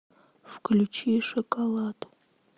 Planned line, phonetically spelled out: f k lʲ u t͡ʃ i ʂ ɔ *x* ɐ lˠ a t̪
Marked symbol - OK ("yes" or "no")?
no